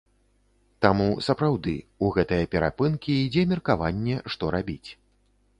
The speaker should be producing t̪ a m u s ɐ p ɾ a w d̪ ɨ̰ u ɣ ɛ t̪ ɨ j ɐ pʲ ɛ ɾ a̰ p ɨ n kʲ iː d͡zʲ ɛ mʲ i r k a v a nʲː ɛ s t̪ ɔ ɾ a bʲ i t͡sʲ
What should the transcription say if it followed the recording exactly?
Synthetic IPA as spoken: t̪ a m u s ɐ p ɾ a w d̪ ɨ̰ u ɣ ɛ t̪ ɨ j ɐ pʲ ɛ ɾ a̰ p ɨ n kʲ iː d͡zʲ ɛ mʲ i r k a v a nʲː ɛ ʂ t̪ ɔ ɾ a bʲ i t͡sʲ